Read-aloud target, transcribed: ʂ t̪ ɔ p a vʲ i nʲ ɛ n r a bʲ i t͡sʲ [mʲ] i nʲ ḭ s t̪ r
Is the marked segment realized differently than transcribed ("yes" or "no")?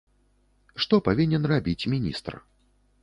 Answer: no